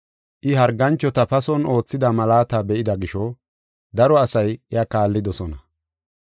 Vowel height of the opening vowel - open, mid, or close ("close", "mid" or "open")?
close